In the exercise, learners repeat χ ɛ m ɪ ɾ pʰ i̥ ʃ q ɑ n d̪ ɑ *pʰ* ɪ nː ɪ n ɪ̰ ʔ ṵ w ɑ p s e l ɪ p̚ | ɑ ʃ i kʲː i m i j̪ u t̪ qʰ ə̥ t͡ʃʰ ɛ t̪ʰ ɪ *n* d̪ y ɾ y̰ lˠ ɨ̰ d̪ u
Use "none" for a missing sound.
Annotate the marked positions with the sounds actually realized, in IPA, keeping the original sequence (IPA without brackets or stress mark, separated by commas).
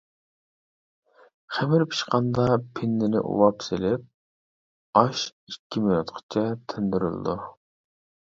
pʰ, n